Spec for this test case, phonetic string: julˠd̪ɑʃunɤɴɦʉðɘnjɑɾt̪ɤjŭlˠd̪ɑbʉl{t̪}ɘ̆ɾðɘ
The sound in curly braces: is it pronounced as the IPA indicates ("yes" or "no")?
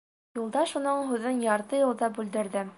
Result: no